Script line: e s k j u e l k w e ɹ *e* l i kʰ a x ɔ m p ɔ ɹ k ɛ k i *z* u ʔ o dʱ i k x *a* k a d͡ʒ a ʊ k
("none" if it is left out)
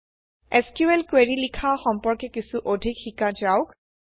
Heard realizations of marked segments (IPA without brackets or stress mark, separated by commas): i, s, i